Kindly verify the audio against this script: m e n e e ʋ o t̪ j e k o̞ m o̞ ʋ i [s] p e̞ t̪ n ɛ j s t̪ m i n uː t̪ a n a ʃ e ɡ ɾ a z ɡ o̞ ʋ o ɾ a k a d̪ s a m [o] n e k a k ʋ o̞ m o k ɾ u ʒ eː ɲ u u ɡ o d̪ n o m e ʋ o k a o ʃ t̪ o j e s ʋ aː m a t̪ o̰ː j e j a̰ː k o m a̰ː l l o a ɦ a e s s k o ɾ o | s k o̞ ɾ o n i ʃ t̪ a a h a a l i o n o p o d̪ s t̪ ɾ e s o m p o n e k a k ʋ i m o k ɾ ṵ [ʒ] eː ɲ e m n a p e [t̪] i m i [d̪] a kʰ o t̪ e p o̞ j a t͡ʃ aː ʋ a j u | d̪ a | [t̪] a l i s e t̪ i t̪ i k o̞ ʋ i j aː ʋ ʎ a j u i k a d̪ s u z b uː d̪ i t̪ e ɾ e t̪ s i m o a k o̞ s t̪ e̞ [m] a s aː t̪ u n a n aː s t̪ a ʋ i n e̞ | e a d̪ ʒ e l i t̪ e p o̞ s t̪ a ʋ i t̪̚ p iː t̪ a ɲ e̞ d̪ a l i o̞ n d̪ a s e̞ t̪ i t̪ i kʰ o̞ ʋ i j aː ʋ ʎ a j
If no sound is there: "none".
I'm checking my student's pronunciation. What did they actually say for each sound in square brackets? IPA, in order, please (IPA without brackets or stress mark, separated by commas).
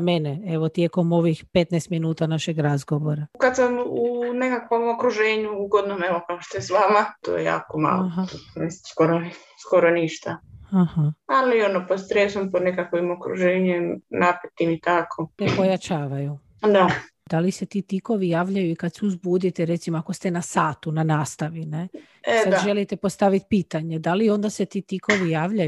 x, u, ʒ, t̪, t̪, d̪, n